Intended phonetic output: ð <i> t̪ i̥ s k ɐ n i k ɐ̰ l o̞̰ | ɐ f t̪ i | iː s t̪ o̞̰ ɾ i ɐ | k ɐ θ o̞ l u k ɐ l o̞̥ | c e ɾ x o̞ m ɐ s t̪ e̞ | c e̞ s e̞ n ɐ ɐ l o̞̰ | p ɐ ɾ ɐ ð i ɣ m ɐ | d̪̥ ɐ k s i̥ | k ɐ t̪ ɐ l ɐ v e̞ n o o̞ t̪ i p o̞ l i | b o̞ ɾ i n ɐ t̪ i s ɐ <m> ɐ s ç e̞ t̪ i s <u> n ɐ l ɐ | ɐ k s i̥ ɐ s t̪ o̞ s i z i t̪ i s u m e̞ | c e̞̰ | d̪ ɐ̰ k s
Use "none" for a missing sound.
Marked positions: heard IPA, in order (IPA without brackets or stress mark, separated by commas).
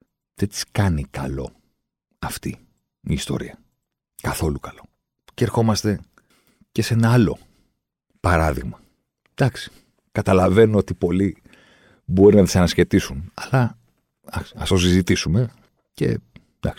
e, n, u